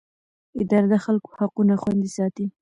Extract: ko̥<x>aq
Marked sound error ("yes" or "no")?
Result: yes